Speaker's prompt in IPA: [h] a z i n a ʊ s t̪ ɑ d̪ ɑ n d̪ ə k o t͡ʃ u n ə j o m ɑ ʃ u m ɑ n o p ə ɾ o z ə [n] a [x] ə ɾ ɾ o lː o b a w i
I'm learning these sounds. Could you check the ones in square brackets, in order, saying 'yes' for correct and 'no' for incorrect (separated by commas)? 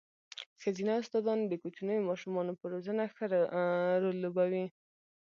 no, yes, yes